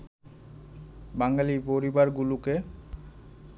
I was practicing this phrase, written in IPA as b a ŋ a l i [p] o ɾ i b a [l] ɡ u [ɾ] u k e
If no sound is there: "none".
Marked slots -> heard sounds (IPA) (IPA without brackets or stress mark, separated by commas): p, ɾ, l